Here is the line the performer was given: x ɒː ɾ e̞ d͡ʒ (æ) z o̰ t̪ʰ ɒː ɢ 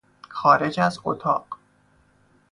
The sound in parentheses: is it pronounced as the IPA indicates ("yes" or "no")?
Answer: yes